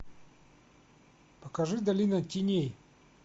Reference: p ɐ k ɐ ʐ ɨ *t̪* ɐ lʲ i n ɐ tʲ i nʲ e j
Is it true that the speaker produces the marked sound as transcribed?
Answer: no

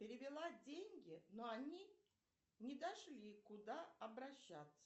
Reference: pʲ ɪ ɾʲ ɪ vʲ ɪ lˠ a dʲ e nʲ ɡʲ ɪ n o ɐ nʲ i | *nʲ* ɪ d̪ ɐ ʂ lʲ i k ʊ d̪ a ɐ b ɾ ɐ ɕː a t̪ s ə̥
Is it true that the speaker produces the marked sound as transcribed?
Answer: yes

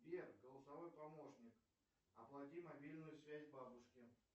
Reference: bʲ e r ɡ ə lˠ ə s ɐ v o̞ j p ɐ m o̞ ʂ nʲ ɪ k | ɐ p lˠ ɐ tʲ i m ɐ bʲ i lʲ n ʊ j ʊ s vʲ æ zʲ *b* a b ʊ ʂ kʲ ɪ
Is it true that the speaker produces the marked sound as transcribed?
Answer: yes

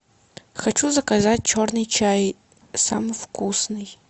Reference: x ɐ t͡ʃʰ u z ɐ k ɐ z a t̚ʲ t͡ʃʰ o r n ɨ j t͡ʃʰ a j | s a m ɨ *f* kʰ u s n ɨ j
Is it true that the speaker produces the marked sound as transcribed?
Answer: yes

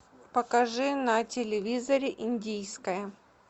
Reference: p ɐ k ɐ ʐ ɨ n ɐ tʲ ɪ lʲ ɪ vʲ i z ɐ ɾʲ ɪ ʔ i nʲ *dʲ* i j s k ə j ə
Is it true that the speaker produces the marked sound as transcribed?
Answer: yes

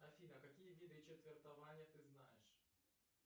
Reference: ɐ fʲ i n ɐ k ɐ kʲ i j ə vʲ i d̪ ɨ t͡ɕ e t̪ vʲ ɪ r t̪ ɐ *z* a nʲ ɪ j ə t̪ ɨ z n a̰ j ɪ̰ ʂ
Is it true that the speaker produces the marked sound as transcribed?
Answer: no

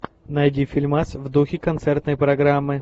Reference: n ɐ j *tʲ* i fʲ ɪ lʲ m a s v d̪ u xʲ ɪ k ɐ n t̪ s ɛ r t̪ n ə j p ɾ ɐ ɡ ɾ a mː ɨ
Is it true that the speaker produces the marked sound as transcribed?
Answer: no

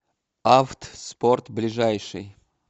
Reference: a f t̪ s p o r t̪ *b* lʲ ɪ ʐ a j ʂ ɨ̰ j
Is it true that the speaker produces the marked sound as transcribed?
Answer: yes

